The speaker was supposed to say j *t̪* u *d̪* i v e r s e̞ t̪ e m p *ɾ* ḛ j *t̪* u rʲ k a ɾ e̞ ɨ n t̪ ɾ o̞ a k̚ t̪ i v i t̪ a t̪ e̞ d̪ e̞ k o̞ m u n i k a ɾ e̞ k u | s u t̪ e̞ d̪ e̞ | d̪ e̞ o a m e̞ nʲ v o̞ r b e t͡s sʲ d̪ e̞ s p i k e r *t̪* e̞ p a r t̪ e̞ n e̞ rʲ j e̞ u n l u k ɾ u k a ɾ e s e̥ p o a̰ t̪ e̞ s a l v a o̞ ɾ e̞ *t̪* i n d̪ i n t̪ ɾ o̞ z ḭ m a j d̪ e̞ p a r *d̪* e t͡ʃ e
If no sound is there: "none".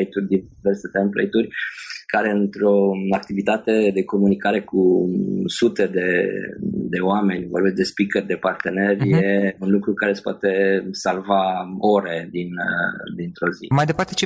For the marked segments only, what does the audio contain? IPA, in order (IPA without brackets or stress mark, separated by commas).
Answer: t̪, d̪, l, t̪, d̪, d̪, t̪